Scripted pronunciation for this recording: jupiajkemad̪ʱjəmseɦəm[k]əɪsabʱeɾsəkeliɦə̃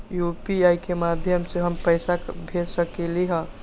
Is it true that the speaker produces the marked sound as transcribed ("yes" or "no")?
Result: no